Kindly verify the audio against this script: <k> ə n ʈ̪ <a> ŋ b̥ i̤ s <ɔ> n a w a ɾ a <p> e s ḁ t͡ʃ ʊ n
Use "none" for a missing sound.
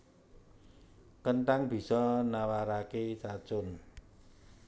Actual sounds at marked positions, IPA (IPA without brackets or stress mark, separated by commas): k, a, ɔ, k